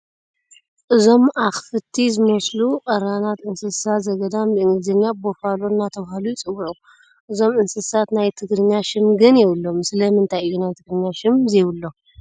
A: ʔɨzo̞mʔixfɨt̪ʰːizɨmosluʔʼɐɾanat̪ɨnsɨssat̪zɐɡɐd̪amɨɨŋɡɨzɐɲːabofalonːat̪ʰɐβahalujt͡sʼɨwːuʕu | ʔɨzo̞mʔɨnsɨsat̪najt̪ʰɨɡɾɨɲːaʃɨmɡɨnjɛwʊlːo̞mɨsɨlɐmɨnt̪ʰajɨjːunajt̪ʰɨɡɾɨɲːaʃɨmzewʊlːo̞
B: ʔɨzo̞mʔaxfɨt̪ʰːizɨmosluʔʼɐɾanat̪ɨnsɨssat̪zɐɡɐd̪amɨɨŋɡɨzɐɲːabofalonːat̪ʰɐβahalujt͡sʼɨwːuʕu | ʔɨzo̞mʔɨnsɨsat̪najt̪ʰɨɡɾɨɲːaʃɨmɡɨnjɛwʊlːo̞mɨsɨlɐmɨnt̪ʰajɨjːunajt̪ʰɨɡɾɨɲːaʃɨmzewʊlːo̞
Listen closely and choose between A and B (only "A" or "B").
B